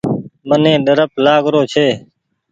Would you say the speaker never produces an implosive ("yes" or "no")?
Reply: no